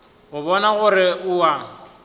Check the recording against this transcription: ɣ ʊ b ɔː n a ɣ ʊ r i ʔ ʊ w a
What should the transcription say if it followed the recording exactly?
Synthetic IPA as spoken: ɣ ʊ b ɔ n a ɣ ʊ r ɪ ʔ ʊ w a